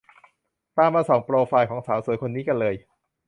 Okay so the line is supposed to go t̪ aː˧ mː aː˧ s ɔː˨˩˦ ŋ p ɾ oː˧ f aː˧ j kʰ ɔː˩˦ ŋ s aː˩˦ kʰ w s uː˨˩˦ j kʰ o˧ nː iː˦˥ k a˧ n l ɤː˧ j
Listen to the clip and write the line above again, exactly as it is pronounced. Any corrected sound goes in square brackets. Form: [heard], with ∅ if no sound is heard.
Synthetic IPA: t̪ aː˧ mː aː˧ s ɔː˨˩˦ ŋ p ɾ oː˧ f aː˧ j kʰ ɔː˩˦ ŋ s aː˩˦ [∅] w s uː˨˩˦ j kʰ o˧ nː iː˦˥ k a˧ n l ɤː˧ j

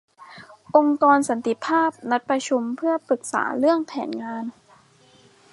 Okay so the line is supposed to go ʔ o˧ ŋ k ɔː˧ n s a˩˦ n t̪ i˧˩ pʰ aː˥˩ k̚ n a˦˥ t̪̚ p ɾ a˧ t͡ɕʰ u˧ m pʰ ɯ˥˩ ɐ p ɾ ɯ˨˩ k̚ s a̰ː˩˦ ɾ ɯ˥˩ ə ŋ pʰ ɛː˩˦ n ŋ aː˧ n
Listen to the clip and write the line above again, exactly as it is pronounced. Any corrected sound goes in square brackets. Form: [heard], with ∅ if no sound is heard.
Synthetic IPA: ʔ o˧ ŋ k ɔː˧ n s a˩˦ n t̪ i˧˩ pʰ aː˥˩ [p̚] n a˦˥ t̪̚ p ɾ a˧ t͡ɕʰ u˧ m pʰ ɯ˥˩ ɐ p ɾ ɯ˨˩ k̚ s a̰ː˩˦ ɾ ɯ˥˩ ə ŋ pʰ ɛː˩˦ n ŋ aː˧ n

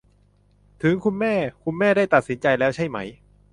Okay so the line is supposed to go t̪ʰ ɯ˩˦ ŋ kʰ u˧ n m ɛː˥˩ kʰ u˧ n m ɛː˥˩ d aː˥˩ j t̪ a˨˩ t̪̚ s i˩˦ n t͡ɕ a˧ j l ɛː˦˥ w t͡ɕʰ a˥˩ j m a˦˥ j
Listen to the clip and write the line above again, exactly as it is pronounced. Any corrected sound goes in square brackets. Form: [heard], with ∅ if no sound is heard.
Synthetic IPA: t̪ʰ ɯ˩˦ ŋ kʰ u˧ n m ɛː˥˩ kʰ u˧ n m ɛː˥˩ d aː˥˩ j t̪ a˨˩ t̪̚ s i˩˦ n t͡ɕ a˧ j l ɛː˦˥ w t͡ɕʰ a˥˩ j m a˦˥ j

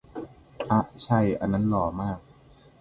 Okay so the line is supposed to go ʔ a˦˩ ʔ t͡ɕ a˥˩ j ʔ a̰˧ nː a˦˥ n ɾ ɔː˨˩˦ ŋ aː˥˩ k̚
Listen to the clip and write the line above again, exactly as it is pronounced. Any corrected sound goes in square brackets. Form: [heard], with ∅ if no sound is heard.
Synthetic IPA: ʔ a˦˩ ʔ [t͡ɕʰ] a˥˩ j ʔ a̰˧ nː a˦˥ n [l] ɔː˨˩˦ [m] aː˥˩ k̚

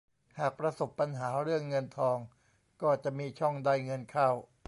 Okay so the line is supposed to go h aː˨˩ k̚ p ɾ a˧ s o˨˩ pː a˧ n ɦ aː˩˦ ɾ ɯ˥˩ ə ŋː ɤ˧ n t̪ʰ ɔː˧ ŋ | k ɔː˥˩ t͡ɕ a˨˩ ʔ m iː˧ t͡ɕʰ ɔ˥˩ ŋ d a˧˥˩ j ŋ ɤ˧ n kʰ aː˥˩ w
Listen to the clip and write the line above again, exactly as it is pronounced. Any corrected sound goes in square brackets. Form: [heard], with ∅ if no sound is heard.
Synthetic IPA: h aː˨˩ k̚ p ɾ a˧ s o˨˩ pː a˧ n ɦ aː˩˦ ɾ ɯ˥˩ ə ŋː ɤ˧ n t̪ʰ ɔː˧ ŋ | k ɔː˥˩ t͡ɕ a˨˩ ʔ m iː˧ t͡ɕʰ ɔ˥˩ ŋ d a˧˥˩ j ŋ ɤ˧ n kʰ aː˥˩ w

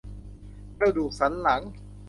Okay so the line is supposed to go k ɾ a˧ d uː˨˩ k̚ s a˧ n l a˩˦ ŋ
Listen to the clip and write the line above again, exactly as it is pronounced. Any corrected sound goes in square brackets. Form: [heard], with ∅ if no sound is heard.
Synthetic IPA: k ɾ a˧ d uː˨˩ k̚ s [a˩˦] n l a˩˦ ŋ

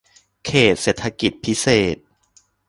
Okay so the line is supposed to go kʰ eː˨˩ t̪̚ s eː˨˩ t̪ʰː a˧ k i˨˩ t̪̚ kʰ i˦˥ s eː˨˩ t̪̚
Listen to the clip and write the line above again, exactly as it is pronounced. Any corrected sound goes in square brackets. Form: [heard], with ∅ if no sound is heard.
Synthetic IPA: kʰ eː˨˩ t̪̚ s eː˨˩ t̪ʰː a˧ k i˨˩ t̪̚ [pʰ] i˦˥ s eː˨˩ t̪̚

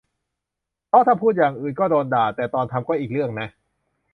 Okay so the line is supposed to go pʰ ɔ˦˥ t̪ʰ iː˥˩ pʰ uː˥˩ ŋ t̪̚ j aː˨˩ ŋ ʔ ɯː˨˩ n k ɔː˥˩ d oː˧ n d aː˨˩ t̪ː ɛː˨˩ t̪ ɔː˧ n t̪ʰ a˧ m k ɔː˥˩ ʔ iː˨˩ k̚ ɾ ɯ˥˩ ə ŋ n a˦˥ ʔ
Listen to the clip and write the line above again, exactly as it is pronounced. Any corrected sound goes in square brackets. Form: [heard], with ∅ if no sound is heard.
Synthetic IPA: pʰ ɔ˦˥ t̪ʰ [aː˥˩] pʰ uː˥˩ [∅] t̪̚ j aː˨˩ ŋ ʔ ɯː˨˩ n k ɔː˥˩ d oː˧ n d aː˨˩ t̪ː ɛː˨˩ t̪ ɔː˧ n t̪ʰ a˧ m k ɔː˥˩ ʔ iː˨˩ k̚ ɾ ɯ˥˩ ə ŋ n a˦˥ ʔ

